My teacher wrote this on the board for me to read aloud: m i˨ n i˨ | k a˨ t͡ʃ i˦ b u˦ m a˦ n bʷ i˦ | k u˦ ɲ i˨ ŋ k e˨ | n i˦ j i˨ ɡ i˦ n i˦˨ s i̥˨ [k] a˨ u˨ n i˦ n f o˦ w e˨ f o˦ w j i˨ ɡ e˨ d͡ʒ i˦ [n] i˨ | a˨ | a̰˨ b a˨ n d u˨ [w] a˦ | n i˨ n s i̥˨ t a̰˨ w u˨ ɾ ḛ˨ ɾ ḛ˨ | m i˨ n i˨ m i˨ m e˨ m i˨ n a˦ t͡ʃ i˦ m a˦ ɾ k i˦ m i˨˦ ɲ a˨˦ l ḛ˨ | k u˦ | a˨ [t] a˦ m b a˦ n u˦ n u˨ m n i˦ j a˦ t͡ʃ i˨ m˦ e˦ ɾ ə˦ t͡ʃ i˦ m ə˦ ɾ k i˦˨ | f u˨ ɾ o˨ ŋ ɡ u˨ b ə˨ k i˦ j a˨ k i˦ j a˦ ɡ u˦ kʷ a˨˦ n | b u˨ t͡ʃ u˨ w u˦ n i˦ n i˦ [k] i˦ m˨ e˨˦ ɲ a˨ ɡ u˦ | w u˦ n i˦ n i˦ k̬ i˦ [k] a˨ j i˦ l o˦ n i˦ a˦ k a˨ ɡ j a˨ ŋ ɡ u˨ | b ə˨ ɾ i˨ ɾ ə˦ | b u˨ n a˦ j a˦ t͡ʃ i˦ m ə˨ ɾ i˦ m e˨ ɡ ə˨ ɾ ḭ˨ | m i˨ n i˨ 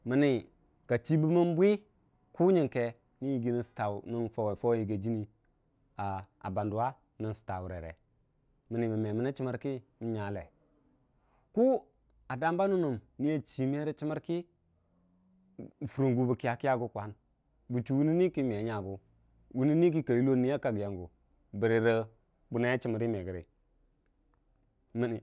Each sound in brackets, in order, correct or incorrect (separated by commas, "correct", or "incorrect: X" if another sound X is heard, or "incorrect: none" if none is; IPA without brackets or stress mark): incorrect: t, correct, correct, incorrect: d, correct, correct